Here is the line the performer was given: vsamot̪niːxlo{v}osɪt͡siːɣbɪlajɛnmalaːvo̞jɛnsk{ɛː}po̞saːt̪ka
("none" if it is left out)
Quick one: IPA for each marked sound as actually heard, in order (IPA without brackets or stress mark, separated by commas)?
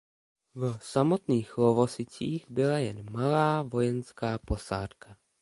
v, aː